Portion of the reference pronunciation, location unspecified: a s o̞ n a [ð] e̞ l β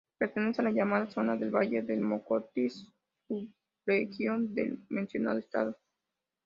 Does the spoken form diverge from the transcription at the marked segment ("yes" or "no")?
no